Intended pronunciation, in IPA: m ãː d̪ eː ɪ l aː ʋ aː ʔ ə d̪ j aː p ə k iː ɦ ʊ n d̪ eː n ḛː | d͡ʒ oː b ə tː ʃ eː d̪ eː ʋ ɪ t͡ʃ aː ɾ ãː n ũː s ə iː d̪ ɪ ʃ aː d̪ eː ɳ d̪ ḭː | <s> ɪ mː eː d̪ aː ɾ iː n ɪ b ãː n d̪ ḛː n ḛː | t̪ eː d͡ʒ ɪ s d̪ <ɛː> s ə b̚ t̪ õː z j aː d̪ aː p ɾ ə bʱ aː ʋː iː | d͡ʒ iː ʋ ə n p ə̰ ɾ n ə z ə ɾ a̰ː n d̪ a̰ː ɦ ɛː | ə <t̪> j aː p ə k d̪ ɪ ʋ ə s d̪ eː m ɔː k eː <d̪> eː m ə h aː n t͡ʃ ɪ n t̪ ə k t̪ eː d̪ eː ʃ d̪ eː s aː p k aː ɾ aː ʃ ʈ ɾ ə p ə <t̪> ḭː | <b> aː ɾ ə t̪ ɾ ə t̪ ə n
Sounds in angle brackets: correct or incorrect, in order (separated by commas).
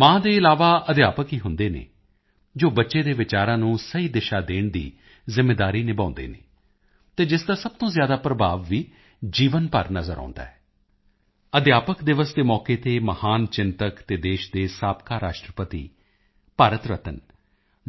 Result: incorrect, incorrect, incorrect, incorrect, correct, incorrect